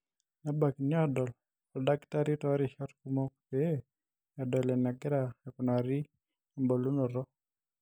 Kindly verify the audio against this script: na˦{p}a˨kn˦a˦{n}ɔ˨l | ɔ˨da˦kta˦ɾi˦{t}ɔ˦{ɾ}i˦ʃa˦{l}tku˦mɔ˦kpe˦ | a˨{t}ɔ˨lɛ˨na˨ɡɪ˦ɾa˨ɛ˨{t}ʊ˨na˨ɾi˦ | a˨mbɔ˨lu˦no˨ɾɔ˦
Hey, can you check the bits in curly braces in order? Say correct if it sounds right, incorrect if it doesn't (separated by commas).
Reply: incorrect, incorrect, correct, correct, incorrect, incorrect, incorrect